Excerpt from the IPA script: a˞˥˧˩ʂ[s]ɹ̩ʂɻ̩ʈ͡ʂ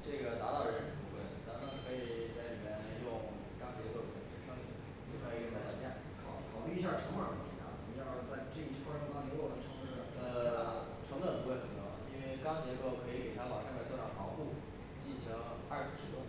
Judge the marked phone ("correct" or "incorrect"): correct